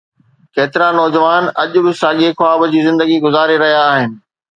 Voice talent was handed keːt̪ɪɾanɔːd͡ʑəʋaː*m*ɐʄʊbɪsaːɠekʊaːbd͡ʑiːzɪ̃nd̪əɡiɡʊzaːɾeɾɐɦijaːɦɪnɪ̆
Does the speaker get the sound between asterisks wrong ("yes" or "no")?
yes